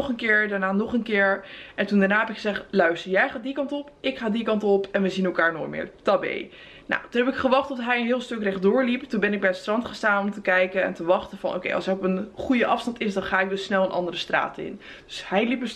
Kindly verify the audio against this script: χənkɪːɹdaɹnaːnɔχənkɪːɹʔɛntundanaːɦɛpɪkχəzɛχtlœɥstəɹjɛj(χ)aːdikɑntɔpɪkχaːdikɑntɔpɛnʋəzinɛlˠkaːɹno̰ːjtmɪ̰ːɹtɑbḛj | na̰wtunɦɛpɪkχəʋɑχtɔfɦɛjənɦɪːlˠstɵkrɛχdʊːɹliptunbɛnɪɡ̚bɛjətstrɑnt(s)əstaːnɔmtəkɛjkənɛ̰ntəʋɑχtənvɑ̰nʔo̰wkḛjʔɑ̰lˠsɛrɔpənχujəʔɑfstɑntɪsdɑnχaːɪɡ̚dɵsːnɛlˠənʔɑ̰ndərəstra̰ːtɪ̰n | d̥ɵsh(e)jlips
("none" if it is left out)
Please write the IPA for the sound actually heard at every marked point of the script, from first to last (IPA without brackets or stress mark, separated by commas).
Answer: χ, χ, ɛ